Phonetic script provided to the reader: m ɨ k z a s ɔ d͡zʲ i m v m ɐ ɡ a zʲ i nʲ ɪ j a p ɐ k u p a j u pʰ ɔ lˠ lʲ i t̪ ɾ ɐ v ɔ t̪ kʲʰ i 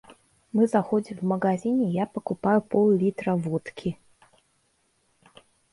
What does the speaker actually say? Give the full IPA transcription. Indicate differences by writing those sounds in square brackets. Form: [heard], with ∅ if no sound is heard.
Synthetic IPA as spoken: m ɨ [∅] z a [x] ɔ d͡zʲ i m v m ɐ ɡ a zʲ i nʲ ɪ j a p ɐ k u p a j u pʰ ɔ lˠ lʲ i t̪ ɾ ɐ v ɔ t̪ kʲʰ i